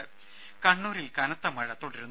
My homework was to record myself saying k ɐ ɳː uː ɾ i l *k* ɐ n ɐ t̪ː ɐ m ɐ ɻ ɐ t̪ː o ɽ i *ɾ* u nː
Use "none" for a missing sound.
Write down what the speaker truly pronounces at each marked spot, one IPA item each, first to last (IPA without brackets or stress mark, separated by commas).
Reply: k, ɾ